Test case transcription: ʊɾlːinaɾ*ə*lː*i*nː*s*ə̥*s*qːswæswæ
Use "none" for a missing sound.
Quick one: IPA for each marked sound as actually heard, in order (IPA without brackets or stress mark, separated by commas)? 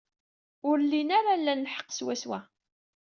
a, æ, ħ, none